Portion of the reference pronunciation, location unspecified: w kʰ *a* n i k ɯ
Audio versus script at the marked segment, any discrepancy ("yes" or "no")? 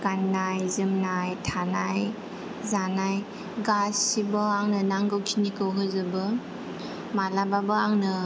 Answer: yes